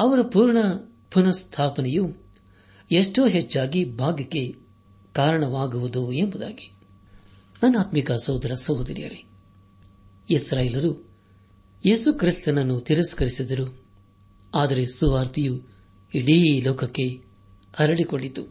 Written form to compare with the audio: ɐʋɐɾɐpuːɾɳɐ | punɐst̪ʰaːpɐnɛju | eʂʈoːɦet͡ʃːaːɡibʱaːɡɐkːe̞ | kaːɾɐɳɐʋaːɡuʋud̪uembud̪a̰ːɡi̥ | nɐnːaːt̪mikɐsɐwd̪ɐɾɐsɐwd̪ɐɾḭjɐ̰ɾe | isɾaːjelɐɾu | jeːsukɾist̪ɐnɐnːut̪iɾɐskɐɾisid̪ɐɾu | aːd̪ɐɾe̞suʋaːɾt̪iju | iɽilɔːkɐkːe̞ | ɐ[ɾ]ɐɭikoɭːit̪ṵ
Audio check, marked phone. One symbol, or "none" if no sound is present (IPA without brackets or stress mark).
ɾ